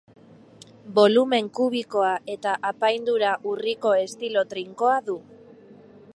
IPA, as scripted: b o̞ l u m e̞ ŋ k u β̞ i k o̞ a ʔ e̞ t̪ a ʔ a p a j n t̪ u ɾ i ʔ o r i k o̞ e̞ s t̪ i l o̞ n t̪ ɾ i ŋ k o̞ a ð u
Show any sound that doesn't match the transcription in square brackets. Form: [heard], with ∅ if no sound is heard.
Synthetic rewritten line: b o̞ l u m e̞ ŋ k u β̞ i k o̞ a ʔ e̞ t̪ a ʔ a p a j n [d̪] u ɾ [a] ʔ [u] r i k o̞ e̞ s t̪ i l o̞ [∅] t̪ ɾ i ŋ k o̞ a ð u